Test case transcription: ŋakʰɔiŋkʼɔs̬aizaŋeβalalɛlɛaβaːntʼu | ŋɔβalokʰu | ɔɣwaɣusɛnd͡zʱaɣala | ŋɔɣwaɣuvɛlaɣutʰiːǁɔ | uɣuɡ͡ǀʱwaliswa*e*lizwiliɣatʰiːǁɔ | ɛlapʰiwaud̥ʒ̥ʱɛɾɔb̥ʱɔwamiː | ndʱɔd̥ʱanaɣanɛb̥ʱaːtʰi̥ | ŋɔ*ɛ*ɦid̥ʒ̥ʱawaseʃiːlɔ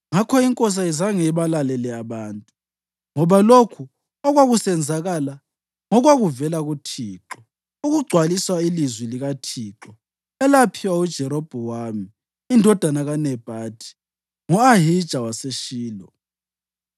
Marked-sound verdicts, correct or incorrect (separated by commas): incorrect, incorrect